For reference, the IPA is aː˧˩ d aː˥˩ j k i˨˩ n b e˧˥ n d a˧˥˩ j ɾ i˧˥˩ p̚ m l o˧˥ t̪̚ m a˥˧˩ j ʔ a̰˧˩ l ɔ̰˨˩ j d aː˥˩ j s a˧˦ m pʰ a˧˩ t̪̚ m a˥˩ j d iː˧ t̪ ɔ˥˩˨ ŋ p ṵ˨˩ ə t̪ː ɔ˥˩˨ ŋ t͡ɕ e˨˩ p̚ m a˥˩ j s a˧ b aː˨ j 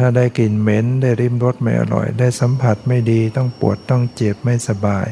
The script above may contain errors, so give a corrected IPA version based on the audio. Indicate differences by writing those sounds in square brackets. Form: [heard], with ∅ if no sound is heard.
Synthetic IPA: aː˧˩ d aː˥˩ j k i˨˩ n [m] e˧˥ n d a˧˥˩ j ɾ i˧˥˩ [∅] m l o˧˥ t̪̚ m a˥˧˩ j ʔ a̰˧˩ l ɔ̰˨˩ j d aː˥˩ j s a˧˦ m pʰ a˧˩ t̪̚ m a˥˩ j d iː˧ t̪ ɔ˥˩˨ ŋ p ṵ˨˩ ə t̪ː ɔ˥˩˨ ŋ t͡ɕ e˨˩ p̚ m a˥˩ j s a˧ b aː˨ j